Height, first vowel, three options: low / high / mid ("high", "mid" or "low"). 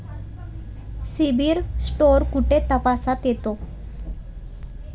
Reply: high